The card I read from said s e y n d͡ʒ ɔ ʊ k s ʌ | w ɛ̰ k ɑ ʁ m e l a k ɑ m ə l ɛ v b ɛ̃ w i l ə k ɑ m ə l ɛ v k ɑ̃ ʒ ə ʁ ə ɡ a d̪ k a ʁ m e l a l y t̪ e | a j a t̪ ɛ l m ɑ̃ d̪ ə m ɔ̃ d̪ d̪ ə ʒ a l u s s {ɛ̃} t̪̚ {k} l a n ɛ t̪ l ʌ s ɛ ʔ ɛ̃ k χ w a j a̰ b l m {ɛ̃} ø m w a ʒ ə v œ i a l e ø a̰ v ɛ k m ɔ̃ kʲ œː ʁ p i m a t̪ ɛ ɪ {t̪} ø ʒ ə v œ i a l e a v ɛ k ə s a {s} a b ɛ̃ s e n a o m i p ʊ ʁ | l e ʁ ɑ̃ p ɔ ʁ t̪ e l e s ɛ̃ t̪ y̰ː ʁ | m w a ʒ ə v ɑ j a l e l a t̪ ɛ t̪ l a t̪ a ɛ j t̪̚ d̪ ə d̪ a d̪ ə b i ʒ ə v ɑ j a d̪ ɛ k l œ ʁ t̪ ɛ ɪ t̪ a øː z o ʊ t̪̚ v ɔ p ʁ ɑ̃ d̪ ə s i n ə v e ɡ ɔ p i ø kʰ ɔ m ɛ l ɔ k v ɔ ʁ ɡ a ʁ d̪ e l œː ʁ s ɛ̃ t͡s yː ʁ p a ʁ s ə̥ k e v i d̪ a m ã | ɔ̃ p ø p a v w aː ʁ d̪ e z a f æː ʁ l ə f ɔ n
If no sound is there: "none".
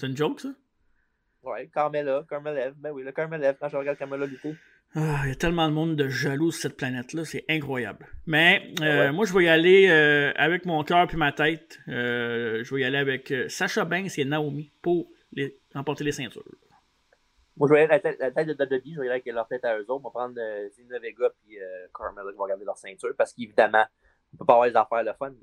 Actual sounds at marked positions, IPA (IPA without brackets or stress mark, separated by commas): ɛ, p, ɛ, t̪, ʃ